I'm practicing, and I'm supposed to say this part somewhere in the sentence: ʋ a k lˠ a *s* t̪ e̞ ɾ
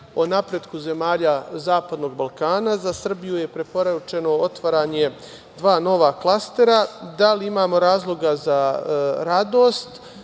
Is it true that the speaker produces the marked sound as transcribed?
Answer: yes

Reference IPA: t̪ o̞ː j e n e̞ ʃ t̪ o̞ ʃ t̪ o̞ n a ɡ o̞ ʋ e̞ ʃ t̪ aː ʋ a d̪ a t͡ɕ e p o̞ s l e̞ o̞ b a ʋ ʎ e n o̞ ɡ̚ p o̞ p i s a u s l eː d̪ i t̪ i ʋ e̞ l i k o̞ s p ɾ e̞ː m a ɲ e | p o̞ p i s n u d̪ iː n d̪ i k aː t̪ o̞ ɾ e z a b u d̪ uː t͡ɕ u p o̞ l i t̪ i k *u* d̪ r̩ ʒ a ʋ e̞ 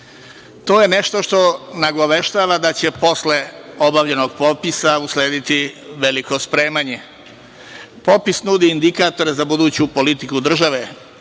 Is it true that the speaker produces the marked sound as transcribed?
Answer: yes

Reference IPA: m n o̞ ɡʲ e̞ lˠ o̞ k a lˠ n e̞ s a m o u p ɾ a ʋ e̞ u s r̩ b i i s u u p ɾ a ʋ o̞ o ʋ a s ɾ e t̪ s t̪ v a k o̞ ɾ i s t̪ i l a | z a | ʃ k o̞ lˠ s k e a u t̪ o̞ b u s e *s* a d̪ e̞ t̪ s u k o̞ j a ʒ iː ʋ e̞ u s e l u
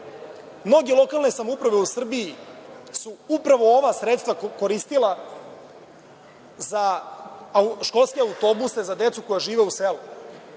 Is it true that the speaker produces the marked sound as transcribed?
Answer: no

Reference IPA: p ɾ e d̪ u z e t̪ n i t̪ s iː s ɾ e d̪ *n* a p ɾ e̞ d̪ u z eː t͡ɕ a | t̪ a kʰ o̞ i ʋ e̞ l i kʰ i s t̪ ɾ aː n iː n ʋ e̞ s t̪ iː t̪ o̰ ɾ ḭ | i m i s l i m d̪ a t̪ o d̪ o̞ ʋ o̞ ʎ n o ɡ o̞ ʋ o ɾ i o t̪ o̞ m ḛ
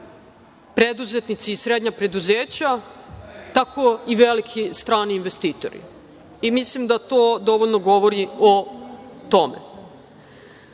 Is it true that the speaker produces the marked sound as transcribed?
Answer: no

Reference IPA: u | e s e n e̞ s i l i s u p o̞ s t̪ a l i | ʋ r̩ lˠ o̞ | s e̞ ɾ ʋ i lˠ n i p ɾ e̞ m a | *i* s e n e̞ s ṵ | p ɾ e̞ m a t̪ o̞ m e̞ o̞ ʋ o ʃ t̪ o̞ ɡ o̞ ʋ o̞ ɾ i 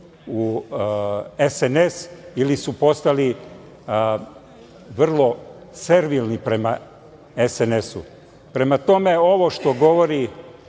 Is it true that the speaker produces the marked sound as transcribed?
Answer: no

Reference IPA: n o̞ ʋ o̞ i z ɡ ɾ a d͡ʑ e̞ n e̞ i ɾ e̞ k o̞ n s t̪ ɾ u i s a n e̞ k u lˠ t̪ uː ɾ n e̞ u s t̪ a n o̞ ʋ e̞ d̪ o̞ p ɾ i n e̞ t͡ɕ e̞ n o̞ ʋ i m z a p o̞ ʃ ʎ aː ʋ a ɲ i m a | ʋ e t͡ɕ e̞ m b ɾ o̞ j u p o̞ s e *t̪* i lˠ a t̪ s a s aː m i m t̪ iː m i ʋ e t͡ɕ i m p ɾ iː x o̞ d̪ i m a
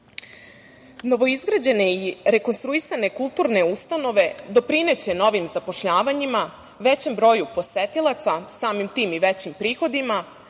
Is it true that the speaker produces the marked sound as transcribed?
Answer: yes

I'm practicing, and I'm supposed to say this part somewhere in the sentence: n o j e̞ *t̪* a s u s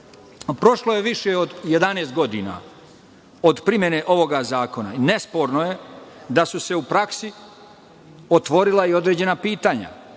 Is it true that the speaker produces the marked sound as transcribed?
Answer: no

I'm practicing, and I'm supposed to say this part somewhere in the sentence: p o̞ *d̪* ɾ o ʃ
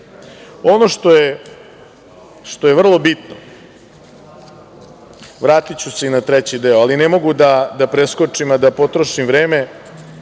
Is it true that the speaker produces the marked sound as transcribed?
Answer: no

